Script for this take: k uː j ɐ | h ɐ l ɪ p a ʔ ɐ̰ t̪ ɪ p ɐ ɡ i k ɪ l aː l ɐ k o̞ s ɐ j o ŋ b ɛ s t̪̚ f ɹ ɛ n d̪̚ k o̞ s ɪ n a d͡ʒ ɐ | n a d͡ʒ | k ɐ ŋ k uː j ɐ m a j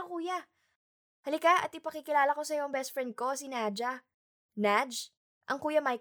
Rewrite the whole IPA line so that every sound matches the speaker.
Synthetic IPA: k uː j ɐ | h ɐ l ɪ k a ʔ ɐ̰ t̪ ɪ p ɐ k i k ɪ l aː l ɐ k o̞ s ɐ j o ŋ b ɛ s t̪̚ f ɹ ɛ n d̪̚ k o̞ s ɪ n a d͡ʒ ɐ | n a d͡ʒ | ʔ ɐ ŋ k uː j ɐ m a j